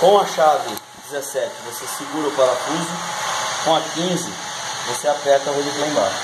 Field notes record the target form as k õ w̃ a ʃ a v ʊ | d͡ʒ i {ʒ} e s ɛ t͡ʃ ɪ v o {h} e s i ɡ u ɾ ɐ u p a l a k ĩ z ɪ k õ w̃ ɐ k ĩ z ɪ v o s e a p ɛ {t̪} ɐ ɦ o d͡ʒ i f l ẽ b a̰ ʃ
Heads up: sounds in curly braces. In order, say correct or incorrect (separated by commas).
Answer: incorrect, incorrect, correct